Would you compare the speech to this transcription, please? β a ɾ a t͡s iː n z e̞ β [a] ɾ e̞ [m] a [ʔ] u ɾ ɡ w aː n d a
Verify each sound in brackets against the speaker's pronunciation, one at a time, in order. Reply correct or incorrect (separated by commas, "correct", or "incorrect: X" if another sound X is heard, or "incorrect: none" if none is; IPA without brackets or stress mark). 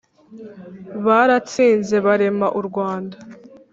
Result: correct, correct, correct